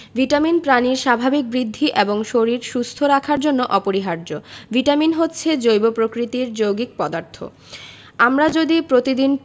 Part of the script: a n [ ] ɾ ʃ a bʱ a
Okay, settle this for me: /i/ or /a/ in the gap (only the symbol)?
i